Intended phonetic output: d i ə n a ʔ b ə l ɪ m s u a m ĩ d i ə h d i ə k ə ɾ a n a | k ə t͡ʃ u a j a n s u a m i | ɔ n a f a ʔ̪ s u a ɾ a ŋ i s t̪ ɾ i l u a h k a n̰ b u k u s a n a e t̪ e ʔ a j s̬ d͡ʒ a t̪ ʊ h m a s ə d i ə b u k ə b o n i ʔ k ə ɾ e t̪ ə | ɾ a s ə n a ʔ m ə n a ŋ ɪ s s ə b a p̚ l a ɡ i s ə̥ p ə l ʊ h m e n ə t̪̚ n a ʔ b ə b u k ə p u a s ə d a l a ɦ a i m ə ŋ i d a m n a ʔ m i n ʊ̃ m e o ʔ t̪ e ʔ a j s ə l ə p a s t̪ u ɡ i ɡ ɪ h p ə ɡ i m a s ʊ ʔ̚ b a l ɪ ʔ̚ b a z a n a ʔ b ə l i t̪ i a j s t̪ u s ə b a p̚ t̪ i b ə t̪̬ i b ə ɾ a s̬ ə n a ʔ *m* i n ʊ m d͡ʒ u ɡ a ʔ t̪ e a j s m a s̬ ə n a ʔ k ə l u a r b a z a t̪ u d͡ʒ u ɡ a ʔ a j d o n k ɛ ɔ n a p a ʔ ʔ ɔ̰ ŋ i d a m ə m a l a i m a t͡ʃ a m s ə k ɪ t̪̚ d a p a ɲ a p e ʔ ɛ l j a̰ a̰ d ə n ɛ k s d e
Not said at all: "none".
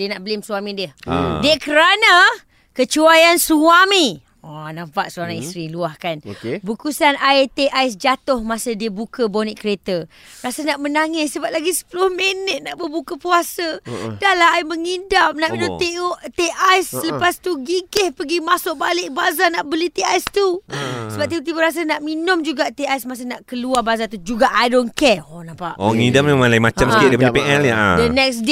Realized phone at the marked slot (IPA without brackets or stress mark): m